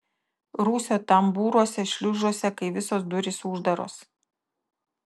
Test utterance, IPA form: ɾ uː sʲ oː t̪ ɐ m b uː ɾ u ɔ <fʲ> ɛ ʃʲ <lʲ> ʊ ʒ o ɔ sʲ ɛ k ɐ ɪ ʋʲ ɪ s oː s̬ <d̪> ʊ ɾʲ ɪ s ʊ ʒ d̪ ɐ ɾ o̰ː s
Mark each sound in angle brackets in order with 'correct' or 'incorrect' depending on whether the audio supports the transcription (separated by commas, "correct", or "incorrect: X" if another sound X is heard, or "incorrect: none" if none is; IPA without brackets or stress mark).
incorrect: sʲ, correct, correct